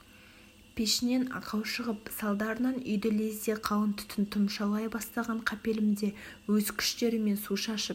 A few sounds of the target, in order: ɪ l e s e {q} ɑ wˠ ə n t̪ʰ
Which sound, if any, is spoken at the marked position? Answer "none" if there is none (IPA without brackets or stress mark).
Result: qʰ